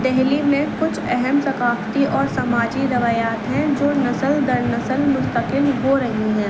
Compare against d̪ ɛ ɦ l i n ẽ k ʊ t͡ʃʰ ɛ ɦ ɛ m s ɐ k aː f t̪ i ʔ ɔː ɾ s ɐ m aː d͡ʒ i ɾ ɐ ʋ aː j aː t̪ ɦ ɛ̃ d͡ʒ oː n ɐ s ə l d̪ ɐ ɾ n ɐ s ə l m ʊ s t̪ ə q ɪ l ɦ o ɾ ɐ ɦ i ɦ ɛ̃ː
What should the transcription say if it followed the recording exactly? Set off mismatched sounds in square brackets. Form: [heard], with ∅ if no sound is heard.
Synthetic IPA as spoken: d̪ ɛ ɦ l i [m] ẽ k ʊ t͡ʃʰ ɛ ɦ ɛ m s ɐ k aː f t̪ i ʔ ɔː ɾ s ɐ m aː d͡ʒ i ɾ ɐ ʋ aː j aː t̪ ɦ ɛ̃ d͡ʒ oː n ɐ s ə l d̪ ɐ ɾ n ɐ s ə l m ʊ s t̪ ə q ɪ l ɦ o ɾ ɐ ɦ i ɦ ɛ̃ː